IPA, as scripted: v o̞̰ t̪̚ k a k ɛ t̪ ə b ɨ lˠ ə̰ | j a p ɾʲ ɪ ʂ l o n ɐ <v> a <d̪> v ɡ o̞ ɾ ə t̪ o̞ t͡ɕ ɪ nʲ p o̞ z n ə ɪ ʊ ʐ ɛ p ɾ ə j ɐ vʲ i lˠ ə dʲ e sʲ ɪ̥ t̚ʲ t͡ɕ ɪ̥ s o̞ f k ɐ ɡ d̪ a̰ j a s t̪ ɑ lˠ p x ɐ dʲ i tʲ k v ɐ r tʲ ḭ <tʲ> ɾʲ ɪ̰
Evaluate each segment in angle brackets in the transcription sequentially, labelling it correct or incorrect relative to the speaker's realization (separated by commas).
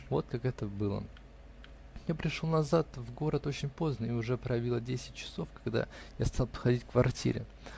incorrect, incorrect, incorrect